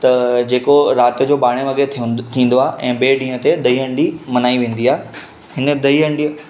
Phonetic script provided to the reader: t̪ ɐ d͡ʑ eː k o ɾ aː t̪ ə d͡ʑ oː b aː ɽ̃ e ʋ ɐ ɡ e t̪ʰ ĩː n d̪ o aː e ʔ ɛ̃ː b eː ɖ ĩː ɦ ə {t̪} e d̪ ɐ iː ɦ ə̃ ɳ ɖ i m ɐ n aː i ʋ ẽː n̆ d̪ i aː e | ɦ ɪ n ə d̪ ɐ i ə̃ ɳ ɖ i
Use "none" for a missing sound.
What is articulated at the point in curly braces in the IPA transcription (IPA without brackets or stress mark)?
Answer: t̪